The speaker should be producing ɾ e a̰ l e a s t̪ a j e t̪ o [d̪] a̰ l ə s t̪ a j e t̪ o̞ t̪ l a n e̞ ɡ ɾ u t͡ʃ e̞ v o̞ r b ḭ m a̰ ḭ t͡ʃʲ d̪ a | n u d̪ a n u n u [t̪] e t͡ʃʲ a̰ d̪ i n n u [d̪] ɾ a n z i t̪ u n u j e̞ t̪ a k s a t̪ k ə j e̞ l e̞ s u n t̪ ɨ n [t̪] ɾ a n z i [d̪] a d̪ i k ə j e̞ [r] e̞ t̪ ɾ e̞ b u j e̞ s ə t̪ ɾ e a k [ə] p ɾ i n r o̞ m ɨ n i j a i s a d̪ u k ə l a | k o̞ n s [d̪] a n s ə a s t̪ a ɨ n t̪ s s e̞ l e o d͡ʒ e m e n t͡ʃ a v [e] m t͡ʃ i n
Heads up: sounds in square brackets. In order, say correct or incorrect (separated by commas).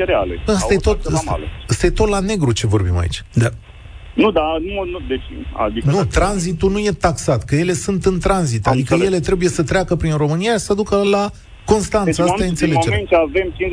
incorrect, incorrect, incorrect, correct, incorrect, incorrect, correct, incorrect, correct